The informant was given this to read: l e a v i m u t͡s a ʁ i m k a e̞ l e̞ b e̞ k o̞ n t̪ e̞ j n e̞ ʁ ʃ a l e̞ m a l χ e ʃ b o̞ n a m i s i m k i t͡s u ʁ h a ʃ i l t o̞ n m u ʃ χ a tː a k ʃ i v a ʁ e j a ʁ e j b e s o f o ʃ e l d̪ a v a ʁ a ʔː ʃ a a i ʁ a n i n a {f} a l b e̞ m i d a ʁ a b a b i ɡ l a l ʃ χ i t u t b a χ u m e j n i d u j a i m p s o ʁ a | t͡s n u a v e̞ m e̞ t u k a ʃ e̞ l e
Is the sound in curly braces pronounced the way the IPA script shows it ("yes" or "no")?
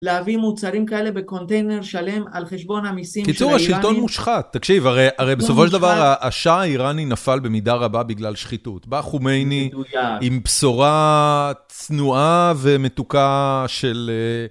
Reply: yes